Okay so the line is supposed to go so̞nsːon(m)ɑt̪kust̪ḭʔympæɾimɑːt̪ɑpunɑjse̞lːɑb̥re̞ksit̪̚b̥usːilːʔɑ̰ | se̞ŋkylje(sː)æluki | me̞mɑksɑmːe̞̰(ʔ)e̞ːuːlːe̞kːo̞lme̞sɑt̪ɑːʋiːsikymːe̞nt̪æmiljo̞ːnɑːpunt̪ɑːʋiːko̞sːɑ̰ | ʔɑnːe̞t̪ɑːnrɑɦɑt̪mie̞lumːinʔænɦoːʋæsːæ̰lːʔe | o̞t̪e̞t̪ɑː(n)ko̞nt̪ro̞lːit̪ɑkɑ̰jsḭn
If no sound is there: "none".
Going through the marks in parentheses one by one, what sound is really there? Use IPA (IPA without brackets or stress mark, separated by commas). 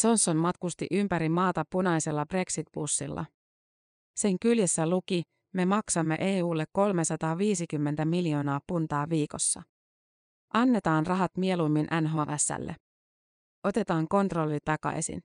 m, sː, ʔ, ŋ